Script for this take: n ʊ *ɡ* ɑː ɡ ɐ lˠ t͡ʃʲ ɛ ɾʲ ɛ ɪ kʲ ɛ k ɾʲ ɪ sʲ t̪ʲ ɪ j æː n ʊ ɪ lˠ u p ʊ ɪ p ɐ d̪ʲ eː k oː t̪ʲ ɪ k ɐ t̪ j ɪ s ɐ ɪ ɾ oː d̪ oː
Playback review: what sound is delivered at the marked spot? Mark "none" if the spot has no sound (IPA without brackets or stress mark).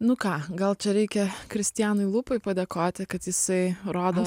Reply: k